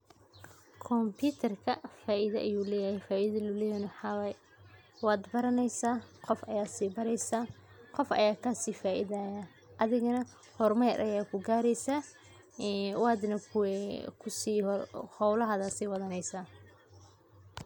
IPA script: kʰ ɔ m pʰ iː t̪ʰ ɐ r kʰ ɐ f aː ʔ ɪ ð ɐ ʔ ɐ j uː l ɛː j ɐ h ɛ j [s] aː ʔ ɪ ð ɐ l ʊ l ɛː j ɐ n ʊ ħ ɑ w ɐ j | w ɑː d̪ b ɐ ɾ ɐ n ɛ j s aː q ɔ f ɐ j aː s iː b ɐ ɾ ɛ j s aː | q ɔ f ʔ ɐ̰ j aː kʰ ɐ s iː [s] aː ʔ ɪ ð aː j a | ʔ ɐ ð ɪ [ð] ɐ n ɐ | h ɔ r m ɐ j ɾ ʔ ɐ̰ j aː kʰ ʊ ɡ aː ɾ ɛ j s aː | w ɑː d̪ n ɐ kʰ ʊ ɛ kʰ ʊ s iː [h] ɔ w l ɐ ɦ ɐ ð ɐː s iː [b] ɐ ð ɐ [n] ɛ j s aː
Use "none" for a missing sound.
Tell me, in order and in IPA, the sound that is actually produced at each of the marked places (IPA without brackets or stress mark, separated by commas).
f, f, ɣ, h, w, n